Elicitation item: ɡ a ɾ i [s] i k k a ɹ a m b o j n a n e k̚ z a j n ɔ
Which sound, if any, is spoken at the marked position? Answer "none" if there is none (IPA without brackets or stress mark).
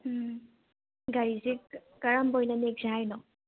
z